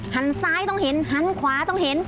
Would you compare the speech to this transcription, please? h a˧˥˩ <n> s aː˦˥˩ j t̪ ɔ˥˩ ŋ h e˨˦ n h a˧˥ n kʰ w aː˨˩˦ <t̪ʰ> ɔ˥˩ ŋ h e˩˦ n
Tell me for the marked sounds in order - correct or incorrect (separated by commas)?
correct, incorrect